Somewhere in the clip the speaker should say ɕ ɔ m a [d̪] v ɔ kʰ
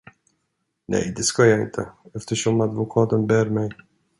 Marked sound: correct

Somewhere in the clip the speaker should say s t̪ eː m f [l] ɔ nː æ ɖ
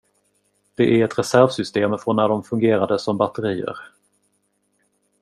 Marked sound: incorrect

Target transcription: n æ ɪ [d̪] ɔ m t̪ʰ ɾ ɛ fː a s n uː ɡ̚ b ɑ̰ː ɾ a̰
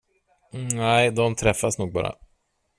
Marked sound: correct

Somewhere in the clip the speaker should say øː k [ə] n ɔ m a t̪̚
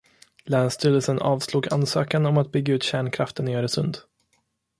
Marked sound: incorrect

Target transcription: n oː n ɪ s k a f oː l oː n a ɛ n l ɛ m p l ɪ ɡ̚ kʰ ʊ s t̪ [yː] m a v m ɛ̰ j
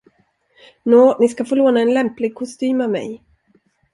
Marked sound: correct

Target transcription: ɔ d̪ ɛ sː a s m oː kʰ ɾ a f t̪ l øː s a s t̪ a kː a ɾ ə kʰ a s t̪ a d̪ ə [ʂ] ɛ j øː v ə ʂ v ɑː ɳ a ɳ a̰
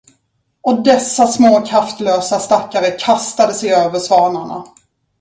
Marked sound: incorrect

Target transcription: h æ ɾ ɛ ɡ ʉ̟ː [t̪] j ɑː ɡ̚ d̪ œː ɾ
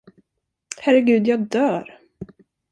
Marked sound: incorrect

